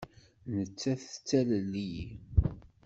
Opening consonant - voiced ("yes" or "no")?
yes